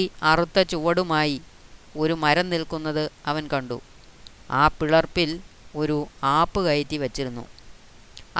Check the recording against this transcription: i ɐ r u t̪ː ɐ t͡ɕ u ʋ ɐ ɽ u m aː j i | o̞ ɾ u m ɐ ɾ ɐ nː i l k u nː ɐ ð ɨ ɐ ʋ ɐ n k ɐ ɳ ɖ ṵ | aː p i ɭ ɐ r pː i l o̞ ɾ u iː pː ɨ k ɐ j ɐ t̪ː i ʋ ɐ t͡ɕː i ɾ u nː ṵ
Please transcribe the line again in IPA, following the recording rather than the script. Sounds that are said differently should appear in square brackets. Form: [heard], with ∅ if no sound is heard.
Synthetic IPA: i ɐ r u t̪ː ɐ t͡ɕ u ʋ ɐ ɽ u m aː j i | o̞ ɾ u m ɐ ɾ ɐ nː i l k u nː ɐ ð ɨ ɐ ʋ ɐ n k ɐ ɳ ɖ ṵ | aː p i ɭ ɐ r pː i l o̞ ɾ u [aː] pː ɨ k ɐ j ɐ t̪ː i ʋ ɐ t͡ɕː i ɾ u nː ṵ